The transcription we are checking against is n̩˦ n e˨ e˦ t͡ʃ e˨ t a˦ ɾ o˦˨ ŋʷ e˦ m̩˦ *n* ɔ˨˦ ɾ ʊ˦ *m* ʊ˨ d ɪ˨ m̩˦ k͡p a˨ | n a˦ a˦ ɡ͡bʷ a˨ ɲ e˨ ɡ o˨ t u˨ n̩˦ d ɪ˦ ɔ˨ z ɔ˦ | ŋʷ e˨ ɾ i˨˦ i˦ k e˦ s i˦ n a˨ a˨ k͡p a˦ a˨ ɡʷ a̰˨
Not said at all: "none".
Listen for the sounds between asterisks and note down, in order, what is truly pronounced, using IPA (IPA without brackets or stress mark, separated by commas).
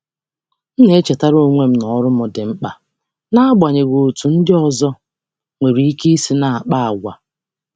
n, m